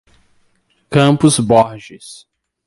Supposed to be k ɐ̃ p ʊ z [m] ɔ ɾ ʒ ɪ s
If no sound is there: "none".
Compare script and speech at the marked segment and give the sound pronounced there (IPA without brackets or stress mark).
b